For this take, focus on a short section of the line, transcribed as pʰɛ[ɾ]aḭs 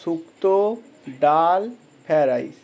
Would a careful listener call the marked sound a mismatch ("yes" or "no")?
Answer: no